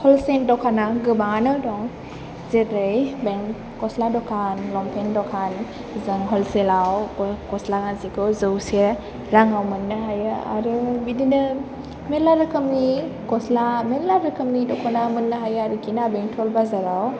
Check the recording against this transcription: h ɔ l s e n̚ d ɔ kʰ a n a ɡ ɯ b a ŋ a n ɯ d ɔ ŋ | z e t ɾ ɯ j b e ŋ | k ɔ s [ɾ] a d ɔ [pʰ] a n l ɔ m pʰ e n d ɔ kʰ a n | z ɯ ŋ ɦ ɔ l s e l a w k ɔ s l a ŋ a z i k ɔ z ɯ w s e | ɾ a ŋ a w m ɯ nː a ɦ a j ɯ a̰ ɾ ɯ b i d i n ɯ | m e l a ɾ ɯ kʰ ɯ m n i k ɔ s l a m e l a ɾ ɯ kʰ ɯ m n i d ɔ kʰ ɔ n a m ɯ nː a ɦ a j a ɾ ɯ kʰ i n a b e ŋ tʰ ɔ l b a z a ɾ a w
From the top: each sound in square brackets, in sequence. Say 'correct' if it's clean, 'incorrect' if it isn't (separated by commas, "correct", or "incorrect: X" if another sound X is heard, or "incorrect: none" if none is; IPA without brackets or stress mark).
incorrect: l, incorrect: kʰ